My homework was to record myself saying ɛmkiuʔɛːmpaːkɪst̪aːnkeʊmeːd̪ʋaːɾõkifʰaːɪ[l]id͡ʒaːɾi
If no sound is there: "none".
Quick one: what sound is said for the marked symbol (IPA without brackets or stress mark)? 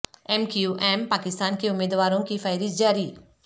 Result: ɾ